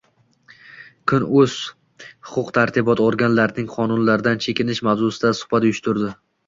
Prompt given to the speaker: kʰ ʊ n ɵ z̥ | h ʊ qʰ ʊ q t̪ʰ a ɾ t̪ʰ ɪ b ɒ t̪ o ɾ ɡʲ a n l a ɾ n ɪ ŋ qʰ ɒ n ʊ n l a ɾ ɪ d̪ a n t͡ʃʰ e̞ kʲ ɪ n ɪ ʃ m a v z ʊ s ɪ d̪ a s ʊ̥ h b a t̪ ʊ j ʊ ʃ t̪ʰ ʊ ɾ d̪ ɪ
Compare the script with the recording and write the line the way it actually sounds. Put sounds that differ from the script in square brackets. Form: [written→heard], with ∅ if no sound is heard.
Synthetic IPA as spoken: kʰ ʊ n ɵ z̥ | h ʊ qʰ ʊ q t̪ʰ a ɾ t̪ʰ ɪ b ɒ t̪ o ɾ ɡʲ a n l a ɾ n ɪ ŋ qʰ ɒ n ʊ n l a ɾ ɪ d̪ a n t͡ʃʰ e̞ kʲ ɪ n ɪ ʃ m a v z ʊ s ɪ d̪ a s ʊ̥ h b a t̪ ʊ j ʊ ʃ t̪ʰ ʊ ɾ d̪ ɪ